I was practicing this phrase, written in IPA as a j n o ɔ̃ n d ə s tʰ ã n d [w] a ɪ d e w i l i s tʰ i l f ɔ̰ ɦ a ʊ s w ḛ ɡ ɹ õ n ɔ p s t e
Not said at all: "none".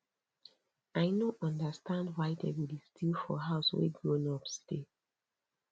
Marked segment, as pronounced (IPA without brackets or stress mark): w